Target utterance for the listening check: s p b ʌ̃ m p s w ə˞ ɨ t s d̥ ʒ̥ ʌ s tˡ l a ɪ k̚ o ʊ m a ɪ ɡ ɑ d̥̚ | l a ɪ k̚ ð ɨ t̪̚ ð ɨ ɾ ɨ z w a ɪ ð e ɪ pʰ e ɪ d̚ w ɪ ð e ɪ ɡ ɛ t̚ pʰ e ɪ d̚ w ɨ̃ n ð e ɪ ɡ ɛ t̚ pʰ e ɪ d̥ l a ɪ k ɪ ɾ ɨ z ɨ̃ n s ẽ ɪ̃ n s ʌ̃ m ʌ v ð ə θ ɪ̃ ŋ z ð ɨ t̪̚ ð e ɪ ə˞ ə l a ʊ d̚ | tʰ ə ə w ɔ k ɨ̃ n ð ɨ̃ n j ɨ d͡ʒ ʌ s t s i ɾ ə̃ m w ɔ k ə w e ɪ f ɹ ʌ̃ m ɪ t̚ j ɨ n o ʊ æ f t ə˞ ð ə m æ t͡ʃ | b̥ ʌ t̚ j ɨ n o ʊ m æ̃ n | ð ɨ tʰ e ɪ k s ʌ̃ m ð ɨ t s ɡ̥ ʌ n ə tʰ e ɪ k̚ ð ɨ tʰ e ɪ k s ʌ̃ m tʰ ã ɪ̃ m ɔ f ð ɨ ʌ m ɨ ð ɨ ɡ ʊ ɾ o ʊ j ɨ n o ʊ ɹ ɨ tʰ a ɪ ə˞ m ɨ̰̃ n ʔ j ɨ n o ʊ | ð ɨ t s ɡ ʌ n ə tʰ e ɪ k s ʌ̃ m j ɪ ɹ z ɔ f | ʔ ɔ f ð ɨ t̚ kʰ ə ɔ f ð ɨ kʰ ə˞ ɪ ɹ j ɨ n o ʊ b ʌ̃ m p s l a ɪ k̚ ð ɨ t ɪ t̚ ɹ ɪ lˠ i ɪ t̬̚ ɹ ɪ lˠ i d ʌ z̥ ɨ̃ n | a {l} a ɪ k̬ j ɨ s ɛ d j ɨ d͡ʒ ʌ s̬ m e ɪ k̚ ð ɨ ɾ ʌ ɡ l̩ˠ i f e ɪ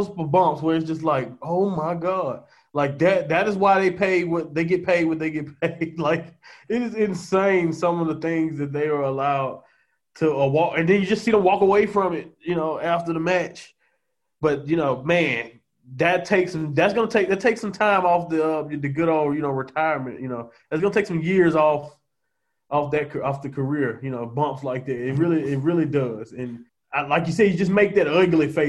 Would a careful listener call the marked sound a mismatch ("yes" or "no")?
no